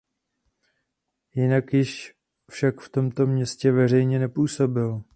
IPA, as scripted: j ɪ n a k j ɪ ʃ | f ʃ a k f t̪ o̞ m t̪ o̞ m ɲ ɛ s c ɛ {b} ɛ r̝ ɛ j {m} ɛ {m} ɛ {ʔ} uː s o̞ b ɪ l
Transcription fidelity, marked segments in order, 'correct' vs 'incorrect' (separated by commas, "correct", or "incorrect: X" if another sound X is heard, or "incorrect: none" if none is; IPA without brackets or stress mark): incorrect: v, incorrect: ɲ, incorrect: n, incorrect: p